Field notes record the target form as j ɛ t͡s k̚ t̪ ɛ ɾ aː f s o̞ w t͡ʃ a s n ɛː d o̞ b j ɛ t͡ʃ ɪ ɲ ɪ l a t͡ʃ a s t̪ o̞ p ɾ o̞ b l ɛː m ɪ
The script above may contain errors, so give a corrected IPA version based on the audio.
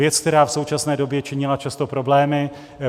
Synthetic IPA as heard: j ɛ t͡s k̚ t̪ ɛ ɾ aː f s o̞ w t͡ʃ a s n ɛː d o̞ b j ɛ t͡ʃ ɪ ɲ ɪ l a t͡ʃ a s t̪ o̞ p ɾ o̞ b l ɛː m ɪ